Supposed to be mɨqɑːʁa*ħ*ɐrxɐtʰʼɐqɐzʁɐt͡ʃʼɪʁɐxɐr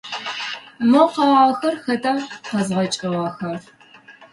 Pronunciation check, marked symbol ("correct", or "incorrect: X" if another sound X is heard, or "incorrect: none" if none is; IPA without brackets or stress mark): incorrect: x